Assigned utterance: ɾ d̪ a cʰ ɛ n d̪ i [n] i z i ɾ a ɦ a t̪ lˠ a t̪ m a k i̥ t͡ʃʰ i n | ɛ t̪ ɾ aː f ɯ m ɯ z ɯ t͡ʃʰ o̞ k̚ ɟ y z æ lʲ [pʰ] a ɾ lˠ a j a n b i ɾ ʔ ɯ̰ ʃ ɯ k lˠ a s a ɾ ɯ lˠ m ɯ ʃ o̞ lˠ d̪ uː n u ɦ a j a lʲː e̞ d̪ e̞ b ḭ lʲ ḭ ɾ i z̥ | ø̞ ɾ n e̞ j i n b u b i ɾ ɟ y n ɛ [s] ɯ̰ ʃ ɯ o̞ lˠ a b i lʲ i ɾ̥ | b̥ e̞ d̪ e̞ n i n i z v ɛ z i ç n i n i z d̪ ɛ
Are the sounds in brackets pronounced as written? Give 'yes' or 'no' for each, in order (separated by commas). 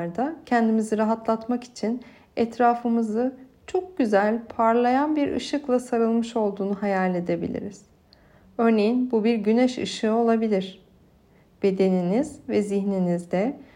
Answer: no, yes, no